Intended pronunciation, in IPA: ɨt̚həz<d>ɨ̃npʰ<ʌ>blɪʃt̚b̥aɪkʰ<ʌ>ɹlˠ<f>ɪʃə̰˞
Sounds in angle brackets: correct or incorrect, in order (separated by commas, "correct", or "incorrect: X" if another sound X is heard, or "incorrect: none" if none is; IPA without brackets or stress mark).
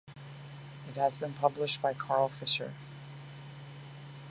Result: incorrect: b, correct, incorrect: ɑ, correct